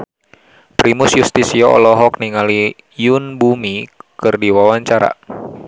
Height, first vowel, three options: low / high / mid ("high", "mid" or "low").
high